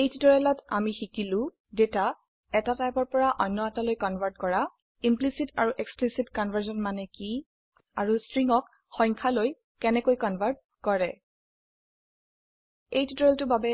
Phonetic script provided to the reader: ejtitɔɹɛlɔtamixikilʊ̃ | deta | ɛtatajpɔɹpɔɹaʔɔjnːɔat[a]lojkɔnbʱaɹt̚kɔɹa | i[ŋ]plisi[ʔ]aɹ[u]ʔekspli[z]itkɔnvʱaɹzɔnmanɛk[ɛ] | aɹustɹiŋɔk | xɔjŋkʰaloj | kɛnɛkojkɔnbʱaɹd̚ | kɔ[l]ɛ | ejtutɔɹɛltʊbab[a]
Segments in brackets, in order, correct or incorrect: correct, incorrect, incorrect, correct, incorrect, incorrect, incorrect, incorrect

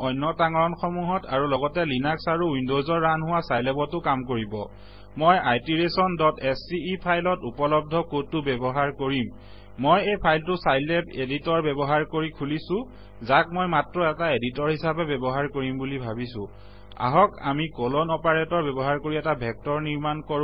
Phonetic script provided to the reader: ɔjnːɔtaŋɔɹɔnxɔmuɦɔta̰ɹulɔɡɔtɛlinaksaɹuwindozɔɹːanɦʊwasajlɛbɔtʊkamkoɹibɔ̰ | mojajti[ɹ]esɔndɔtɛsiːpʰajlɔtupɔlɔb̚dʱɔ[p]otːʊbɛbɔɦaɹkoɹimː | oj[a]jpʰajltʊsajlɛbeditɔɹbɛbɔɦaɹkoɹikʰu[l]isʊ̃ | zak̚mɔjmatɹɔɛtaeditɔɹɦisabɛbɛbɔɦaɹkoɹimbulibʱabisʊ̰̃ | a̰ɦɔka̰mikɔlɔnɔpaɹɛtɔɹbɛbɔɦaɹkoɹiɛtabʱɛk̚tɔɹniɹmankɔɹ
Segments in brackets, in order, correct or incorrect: correct, incorrect, incorrect, correct

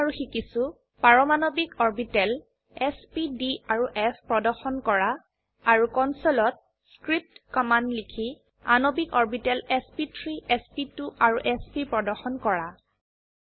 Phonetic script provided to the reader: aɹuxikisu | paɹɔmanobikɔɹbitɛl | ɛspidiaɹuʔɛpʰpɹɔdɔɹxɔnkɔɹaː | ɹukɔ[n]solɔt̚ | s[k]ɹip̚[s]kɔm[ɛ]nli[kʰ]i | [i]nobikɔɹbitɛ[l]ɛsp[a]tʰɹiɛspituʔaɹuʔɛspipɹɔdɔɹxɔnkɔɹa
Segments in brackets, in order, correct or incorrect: correct, correct, incorrect, incorrect, correct, incorrect, correct, incorrect

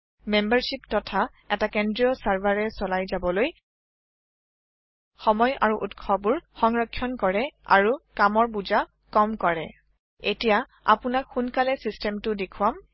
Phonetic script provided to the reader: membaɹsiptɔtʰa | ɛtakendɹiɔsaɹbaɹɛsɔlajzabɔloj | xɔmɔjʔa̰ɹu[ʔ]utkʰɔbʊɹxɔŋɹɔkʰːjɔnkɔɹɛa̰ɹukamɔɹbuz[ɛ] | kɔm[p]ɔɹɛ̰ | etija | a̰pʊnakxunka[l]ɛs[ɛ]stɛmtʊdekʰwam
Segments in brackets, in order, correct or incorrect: correct, incorrect, incorrect, correct, incorrect

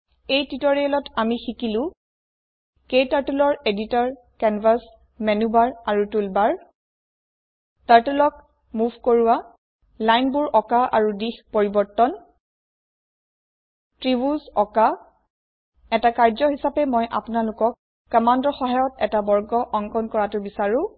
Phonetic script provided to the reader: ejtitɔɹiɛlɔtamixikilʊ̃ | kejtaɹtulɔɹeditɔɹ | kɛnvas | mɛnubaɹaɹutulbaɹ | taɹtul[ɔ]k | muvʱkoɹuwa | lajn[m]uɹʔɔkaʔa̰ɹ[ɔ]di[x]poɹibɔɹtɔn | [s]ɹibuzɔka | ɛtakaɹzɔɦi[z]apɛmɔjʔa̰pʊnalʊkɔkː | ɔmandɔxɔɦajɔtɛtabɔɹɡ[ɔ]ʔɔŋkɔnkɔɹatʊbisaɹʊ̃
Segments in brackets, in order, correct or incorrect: correct, incorrect, incorrect, correct, incorrect, incorrect, correct

